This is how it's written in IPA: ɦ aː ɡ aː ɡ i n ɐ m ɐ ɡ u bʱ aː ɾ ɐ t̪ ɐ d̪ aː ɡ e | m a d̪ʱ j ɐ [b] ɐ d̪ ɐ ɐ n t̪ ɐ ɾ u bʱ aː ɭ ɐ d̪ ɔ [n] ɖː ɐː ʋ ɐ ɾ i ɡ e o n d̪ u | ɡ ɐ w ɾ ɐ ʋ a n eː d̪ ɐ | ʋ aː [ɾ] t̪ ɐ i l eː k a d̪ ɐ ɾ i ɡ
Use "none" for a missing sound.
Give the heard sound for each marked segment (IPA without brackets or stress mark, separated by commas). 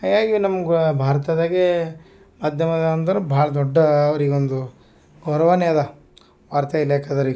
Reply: m, none, ɾ